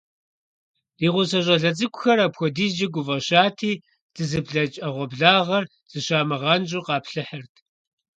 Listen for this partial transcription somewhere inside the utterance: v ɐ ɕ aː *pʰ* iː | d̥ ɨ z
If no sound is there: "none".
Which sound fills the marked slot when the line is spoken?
tʰ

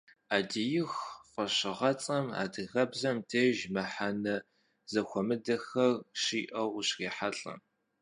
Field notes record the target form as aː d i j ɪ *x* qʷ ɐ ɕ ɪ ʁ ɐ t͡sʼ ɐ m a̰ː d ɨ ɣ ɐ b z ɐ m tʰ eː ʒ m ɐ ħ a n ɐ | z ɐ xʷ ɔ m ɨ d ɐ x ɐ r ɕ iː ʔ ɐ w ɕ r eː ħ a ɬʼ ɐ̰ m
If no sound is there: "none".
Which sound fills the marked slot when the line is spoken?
x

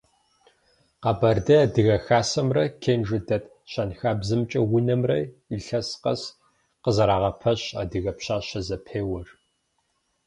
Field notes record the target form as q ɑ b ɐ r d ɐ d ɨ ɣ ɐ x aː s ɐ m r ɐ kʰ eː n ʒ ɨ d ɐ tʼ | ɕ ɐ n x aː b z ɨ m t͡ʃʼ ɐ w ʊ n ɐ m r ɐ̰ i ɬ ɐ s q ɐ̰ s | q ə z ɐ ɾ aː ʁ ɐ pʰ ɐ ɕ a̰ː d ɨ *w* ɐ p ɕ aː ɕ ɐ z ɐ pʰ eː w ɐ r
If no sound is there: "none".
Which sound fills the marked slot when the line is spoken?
ɣ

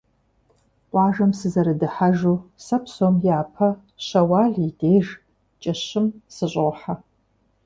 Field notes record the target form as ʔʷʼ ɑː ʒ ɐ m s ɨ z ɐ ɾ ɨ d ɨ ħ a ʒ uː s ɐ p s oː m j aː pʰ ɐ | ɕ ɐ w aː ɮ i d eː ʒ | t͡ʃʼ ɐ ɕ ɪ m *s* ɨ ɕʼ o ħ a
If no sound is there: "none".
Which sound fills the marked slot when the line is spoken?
s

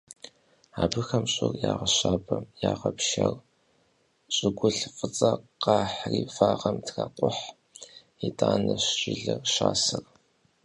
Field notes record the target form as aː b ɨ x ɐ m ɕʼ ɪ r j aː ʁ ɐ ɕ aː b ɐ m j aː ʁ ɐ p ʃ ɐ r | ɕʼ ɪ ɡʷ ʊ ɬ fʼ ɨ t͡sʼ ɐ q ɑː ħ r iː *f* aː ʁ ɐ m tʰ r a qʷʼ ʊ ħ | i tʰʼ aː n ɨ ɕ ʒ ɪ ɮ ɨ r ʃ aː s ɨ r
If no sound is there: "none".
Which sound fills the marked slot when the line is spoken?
f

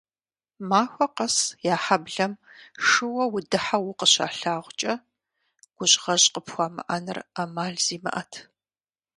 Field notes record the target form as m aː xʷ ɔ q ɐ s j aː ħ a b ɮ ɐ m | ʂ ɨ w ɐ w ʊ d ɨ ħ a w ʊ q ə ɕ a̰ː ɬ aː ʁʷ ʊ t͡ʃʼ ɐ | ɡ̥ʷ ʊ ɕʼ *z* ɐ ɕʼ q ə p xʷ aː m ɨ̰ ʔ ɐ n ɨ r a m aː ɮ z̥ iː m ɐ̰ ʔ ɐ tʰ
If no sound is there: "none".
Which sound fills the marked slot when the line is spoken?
ʁ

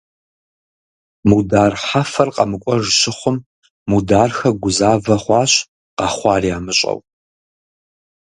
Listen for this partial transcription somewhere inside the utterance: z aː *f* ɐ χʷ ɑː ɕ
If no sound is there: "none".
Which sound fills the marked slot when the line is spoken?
v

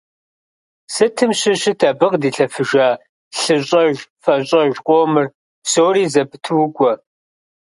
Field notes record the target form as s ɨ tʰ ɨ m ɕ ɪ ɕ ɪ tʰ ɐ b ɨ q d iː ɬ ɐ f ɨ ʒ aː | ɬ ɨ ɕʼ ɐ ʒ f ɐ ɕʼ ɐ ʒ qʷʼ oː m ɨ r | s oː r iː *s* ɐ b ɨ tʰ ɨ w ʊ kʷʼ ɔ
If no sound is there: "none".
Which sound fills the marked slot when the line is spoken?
z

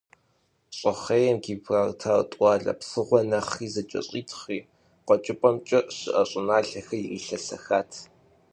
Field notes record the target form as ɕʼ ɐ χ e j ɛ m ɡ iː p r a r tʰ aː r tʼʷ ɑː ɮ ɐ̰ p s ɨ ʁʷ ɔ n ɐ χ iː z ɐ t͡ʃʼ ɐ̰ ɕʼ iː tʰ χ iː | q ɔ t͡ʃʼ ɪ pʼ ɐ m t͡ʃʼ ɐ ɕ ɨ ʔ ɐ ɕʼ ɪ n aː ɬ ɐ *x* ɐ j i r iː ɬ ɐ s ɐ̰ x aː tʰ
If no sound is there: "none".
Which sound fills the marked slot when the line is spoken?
x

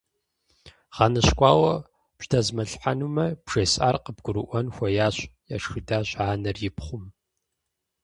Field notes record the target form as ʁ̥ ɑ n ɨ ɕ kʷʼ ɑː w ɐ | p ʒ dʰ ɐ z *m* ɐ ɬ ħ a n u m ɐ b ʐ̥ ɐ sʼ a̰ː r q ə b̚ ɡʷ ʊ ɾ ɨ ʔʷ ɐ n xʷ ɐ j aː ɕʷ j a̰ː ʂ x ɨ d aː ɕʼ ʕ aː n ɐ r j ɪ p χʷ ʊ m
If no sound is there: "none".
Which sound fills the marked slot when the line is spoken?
m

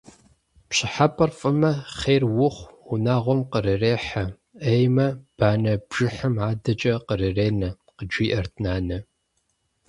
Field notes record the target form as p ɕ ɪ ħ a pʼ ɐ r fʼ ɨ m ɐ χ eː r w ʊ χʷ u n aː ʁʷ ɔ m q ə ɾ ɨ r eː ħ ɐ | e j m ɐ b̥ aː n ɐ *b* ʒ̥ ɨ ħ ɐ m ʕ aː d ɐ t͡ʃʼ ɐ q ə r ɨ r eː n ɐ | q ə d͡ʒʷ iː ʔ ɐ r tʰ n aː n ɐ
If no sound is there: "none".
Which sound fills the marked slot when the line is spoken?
b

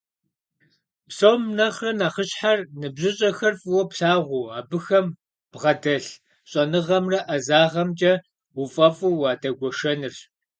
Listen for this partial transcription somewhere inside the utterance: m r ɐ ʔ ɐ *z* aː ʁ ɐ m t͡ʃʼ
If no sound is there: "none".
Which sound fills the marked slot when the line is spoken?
z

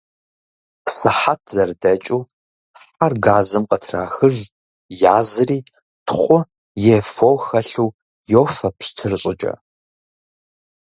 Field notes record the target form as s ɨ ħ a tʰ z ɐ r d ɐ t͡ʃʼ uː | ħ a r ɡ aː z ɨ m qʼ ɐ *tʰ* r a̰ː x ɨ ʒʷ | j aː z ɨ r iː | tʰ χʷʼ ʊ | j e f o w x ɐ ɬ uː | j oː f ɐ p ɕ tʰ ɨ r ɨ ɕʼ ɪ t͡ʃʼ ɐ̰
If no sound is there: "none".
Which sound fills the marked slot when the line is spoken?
tʰ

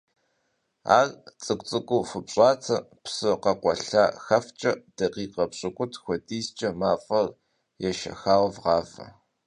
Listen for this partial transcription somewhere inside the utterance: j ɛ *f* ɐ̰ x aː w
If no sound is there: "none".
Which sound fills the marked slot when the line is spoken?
ʃ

